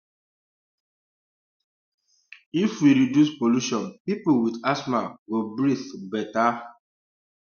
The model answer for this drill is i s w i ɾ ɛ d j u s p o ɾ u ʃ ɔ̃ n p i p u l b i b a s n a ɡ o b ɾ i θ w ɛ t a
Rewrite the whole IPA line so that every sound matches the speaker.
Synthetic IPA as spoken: i f w i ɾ i d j u s p o l u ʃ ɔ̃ n p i p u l w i d a s m a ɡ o b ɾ i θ b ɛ t a